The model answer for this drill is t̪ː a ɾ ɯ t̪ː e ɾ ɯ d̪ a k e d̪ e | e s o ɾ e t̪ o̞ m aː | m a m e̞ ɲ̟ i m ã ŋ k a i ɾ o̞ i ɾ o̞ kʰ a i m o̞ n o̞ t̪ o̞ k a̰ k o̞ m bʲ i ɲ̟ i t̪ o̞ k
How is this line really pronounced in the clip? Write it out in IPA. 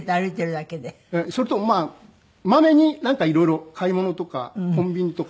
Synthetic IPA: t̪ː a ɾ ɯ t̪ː e ɾ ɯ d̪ a k e d̪ e | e s o ɾ e t̪ o̞ m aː | m a m e̞ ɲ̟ i n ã ŋ k a i ɾ o̞ i ɾ o̞ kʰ a i m o̞ n o̞ t̪ o̞ k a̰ k õ̞ m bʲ i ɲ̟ i t̪ o̞ k

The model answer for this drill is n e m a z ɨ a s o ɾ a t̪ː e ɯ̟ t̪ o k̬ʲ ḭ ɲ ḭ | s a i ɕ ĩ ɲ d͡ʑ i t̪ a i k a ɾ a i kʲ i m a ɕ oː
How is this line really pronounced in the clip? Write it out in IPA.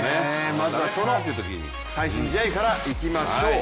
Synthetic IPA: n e m a z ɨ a s o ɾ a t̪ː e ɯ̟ t̪ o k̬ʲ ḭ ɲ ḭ | s a i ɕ ĩ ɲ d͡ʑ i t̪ a i k a ɾ a i kʲ i m a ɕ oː

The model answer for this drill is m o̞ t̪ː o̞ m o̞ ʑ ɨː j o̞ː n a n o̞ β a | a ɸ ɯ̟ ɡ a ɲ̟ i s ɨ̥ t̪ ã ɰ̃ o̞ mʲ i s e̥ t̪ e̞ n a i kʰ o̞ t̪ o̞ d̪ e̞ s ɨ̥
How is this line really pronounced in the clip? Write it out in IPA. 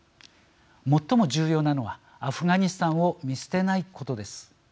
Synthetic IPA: m o̞ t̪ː o̞ m o̞ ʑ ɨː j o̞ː n a n o̞ β a | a ɸ ɯ̟ ɡ a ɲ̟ i s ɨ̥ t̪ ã ɰ̃ o̞ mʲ i s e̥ t̪ e̞ n a i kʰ o̞ t̪ o̞ d̪ e̞ s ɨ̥

